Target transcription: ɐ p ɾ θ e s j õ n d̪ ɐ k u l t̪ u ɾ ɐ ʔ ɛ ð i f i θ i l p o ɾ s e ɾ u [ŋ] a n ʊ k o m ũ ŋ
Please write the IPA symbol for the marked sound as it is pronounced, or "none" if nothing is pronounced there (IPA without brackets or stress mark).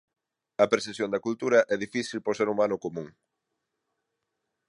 m